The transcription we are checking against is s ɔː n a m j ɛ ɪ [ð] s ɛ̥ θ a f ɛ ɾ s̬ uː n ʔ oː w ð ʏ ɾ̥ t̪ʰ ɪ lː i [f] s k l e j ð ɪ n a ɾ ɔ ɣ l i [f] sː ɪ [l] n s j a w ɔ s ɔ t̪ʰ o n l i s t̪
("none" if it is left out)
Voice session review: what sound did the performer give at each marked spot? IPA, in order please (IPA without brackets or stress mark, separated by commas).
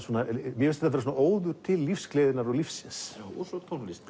none, f, f, none